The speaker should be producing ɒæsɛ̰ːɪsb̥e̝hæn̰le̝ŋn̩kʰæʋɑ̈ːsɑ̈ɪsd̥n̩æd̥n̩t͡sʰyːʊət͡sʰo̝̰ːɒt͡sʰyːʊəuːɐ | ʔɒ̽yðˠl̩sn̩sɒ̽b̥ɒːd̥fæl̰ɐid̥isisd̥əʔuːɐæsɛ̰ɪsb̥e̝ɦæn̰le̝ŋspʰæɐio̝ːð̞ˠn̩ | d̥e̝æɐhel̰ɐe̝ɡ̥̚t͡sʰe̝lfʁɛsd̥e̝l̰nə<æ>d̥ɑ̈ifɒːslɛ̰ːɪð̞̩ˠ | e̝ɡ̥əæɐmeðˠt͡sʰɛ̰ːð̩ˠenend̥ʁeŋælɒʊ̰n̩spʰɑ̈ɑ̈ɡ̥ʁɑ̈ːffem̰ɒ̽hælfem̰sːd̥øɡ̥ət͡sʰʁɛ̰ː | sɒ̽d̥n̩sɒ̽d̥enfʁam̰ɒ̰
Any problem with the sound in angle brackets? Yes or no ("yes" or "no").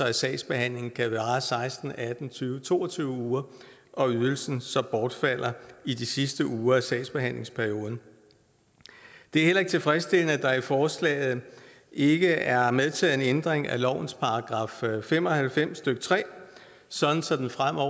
no